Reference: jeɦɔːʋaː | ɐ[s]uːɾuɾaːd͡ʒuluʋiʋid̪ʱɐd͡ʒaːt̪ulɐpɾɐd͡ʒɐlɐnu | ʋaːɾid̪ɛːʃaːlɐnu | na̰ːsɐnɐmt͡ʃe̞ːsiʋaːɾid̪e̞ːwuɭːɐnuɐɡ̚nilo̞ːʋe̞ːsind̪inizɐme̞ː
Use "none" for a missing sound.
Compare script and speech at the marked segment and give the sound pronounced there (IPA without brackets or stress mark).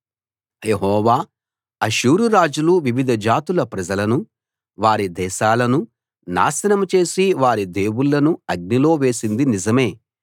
ʃ